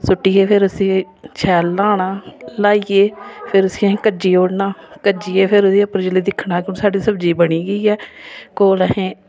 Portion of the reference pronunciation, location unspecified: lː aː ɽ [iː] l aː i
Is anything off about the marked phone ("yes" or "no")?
yes